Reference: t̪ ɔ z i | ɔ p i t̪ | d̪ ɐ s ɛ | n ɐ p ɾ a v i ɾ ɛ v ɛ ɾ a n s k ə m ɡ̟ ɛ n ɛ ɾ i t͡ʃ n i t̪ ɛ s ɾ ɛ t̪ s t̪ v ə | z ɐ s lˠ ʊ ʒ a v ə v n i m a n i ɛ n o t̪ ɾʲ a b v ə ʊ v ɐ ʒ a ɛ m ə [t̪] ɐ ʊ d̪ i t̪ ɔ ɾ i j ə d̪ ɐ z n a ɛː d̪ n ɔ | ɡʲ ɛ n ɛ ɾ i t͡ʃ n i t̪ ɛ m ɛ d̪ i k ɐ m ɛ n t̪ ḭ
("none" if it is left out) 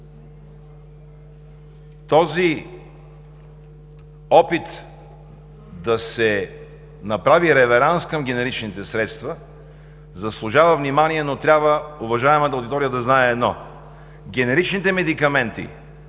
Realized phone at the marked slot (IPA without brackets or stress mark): t̪